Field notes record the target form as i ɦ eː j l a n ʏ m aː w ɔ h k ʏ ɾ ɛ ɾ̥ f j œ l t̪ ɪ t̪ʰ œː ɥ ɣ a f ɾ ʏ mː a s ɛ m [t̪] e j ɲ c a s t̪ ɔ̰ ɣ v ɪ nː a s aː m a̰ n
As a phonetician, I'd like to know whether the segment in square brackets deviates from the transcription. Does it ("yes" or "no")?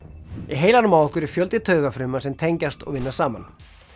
yes